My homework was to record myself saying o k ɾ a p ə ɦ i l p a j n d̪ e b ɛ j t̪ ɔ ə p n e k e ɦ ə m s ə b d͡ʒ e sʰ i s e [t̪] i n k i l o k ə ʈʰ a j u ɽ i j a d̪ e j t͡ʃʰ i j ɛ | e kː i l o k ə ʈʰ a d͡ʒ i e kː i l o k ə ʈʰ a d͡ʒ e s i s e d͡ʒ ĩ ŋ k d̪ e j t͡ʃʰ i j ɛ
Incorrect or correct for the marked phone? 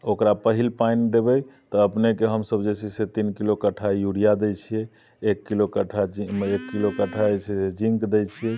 correct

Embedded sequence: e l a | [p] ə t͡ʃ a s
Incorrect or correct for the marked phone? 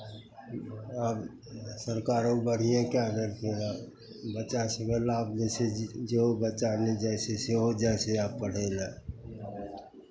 incorrect: b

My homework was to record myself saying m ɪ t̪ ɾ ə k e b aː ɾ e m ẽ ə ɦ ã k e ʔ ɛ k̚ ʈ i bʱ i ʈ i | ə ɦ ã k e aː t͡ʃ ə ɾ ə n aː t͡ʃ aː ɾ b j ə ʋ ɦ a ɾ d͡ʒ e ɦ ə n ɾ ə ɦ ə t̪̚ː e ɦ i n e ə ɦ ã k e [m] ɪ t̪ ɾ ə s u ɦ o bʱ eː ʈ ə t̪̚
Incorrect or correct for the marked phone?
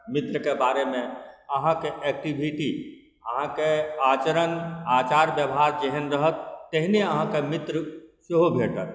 correct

